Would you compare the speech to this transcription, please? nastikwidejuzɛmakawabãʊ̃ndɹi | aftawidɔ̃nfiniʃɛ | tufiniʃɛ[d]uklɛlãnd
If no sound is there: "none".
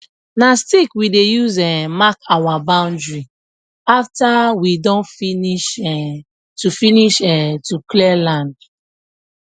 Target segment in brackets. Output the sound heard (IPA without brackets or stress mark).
t